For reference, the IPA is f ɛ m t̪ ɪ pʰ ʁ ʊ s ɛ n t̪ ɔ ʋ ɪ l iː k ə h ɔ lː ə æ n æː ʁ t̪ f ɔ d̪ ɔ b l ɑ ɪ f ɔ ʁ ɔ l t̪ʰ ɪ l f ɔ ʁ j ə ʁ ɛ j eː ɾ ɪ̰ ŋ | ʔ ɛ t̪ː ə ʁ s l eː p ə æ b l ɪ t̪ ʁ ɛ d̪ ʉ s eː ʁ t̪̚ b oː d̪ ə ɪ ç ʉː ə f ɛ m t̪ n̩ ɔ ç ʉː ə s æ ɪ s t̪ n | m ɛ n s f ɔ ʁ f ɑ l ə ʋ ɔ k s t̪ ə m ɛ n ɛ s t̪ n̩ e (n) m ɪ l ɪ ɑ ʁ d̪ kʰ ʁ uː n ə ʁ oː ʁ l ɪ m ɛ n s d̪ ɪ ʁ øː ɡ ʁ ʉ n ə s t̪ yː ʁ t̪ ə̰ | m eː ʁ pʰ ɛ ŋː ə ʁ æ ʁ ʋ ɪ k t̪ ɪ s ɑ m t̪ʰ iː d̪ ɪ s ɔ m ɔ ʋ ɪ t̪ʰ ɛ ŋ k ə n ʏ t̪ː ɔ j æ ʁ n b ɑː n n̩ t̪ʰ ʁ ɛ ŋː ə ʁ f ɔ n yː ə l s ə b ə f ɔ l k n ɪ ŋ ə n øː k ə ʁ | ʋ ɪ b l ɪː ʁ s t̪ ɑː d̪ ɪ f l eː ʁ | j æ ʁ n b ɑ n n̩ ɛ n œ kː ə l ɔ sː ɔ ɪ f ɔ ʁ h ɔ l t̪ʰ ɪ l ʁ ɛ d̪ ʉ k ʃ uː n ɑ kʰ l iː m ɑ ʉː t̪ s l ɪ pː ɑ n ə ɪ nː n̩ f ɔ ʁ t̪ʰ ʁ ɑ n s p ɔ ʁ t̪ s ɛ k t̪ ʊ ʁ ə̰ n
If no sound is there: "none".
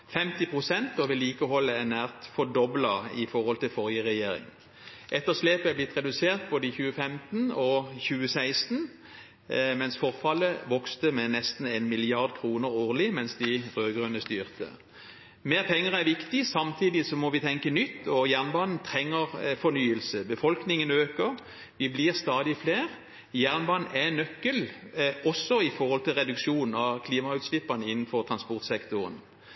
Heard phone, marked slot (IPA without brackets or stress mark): n